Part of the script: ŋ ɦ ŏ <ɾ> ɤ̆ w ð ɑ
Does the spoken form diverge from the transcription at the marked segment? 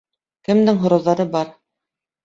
no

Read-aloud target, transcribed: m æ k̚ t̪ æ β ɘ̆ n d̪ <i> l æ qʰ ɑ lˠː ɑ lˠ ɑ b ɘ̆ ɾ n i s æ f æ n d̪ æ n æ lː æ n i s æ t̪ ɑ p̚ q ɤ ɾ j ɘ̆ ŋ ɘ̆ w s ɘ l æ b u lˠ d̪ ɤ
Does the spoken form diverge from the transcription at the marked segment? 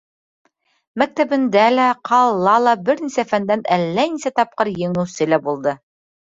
yes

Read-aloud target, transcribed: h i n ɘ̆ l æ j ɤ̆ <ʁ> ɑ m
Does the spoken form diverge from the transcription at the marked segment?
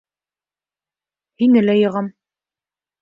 no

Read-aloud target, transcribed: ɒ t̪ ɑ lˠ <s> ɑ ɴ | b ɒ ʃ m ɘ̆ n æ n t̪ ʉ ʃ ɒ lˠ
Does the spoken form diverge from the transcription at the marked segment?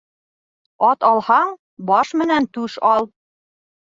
yes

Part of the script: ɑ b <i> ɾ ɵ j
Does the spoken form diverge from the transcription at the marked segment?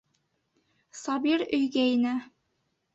no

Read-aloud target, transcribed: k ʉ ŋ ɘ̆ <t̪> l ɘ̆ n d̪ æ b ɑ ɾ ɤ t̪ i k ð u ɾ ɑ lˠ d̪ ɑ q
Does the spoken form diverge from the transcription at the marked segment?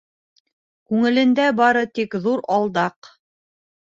yes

